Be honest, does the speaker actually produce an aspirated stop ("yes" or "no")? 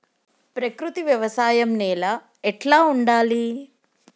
no